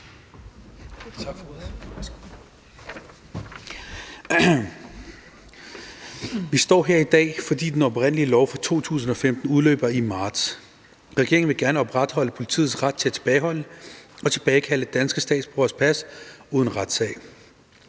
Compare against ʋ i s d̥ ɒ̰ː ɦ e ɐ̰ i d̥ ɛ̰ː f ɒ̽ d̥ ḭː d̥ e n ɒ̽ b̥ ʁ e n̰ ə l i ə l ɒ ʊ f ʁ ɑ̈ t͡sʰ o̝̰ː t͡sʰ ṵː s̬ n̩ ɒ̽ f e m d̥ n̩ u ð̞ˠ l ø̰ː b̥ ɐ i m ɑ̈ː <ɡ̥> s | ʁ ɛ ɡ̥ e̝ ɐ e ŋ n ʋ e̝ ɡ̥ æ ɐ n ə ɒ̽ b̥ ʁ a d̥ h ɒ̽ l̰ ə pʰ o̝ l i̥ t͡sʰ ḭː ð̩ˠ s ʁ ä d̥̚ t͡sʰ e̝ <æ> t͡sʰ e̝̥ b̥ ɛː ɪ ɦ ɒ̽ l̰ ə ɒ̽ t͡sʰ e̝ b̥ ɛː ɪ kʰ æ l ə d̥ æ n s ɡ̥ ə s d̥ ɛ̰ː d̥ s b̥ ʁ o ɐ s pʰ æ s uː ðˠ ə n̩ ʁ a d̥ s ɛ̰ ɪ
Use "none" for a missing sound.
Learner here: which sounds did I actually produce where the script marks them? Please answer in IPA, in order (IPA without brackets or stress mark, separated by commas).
d̥, æ